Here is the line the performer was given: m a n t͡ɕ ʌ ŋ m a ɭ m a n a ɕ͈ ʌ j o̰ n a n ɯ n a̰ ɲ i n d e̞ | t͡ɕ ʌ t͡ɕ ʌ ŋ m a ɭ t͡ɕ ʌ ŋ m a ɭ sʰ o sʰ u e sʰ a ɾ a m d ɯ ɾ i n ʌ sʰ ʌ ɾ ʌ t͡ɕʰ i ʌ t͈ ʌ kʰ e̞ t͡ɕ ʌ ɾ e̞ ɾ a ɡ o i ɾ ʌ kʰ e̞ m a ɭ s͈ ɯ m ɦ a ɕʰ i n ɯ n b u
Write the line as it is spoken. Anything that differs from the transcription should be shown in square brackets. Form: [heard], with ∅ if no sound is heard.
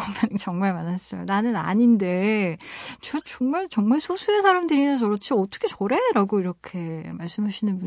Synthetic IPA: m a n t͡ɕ ʌ ŋ m a ɭ m a n a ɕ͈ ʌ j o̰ n a n ɯ n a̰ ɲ i n d e̞ | t͡ɕ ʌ t͡ɕ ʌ ŋ m a ɭ t͡ɕ ʌ ŋ m a ɭ sʰ o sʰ u e sʰ a ɾ a m d ɯ ɾ i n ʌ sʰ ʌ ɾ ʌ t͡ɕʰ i ʌ t͈ ʌ kʰ e̞ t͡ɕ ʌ ɾ e̞ ɾ a ɡ o i ɾ ʌ kʰ e̞ m a ɭ s͈ ɯ m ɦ a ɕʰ i n ɯ n b u